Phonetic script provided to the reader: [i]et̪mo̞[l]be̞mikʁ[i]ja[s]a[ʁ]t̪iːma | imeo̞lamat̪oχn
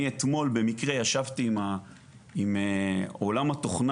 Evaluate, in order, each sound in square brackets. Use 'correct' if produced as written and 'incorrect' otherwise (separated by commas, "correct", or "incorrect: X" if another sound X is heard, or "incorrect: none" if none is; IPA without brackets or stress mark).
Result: correct, correct, incorrect: e, incorrect: ʃ, incorrect: v